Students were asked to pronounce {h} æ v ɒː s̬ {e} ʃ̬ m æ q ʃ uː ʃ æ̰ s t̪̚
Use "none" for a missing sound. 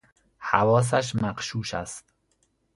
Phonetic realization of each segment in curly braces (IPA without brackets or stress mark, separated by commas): h, æ